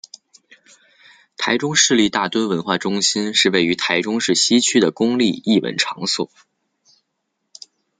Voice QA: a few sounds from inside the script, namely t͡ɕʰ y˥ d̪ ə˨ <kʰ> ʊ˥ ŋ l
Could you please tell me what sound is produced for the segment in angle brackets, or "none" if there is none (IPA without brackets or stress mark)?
k